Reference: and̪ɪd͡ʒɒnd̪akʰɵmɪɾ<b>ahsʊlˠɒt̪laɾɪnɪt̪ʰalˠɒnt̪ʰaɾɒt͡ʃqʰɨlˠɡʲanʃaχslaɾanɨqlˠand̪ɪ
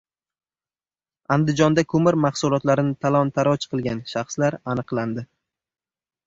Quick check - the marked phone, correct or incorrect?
incorrect